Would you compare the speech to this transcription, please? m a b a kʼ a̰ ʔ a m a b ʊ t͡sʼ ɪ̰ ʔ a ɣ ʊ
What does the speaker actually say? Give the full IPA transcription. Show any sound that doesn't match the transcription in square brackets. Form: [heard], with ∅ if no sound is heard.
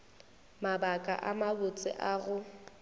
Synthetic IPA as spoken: m a b a kʼ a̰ ʔ a m a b ʊ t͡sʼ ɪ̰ ʔ a ɣ ʊ